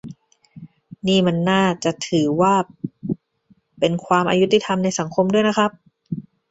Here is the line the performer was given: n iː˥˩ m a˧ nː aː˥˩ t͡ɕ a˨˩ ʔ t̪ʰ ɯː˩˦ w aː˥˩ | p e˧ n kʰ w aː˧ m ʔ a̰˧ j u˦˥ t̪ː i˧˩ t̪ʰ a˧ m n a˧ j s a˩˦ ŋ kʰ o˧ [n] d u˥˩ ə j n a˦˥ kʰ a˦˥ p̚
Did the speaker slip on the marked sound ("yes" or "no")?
yes